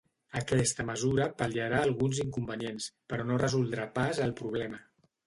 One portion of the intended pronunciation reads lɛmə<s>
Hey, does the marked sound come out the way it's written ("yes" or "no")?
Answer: no